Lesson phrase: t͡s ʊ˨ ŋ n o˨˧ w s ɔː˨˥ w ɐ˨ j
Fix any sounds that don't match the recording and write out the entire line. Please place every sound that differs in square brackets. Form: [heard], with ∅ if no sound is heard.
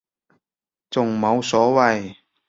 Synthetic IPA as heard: t͡s ʊ˨ ŋ [m] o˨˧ w s ɔː˨˥ w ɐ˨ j